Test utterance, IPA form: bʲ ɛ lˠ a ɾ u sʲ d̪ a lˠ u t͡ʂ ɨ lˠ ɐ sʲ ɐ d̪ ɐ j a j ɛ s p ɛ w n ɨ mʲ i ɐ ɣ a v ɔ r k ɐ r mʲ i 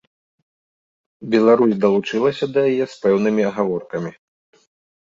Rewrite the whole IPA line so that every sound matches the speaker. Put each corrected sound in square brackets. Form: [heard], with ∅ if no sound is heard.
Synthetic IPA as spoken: bʲ ɛ lˠ a ɾ u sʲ d̪ [ɐ] lˠ u t͡ʂ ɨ lˠ ɐ sʲ ɐ d̪ ɐ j a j ɛ s p ɛ w n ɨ mʲ i ɐ ɣ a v ɔ r k ɐ [∅] mʲ i